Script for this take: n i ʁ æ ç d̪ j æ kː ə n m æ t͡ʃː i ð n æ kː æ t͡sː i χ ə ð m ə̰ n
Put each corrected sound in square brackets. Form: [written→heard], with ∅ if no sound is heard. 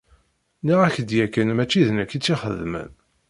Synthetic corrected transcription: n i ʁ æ ç d̪ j æ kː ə n m æ t͡ʃː i ð n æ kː [æ→i] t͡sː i χ ə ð m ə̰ n